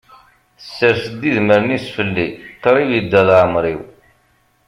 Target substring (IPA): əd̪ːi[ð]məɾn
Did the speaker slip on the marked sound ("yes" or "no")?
no